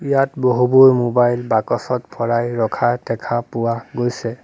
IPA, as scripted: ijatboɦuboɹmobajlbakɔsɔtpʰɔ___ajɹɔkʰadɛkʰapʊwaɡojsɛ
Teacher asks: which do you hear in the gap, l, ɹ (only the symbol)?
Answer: ɹ